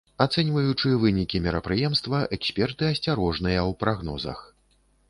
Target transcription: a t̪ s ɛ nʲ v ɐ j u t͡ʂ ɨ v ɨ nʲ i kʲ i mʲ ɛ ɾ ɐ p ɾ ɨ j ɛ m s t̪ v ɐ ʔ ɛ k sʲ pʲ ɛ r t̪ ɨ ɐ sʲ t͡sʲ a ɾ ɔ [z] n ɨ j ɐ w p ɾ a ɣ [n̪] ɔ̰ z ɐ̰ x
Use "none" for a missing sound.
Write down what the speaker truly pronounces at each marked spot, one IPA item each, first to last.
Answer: ʐ, n̪

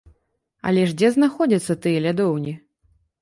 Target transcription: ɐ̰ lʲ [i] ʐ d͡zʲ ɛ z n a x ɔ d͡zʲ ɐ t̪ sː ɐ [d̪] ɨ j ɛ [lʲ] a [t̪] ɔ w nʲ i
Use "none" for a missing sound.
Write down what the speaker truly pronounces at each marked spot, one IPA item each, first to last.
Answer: ɛ, t̪, lʲ, d̪

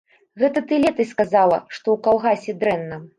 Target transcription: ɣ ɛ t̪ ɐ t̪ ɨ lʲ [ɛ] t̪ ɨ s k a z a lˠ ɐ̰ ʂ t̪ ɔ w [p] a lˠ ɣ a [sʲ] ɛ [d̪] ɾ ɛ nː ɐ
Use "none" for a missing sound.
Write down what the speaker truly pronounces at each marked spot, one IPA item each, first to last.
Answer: ɛ, k, sʲ, d̪

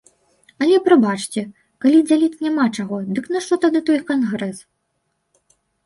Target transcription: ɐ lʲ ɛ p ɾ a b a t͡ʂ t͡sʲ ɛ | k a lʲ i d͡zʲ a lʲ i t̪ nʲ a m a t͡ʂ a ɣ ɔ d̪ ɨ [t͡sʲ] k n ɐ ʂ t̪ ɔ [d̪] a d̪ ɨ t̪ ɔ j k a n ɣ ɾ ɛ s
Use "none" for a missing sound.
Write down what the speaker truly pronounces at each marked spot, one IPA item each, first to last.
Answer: none, t̪

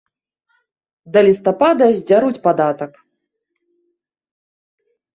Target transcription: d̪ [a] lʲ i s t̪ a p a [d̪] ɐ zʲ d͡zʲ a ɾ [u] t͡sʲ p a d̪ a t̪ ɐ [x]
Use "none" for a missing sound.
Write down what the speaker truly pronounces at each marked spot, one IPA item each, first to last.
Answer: ɐ, d̪, u, k

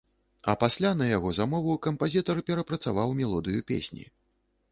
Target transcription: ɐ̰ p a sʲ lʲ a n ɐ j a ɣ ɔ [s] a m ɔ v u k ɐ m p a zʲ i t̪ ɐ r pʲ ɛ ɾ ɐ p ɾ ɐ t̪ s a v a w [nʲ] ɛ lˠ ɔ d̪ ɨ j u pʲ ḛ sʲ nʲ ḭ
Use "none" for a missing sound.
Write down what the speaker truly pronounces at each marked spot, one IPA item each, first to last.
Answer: z, mʲ

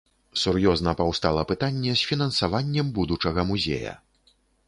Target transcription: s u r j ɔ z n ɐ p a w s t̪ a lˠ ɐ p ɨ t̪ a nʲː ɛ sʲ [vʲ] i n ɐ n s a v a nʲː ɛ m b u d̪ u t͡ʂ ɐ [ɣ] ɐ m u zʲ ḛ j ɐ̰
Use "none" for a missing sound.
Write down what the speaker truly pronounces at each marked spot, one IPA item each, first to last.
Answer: fʲ, ɣ

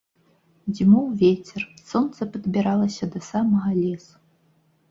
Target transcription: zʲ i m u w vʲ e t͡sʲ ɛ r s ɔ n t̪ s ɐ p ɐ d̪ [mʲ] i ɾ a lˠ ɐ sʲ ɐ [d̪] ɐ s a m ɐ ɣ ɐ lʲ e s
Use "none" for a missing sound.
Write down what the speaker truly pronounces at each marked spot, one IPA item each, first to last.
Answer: bʲ, d̪

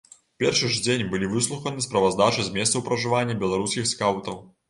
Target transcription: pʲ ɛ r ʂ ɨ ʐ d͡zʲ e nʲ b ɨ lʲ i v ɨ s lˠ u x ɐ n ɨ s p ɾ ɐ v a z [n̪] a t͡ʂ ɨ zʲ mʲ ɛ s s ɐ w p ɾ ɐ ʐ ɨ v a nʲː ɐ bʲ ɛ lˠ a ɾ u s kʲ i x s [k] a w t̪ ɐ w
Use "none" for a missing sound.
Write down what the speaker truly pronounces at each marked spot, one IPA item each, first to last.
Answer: d̪, k

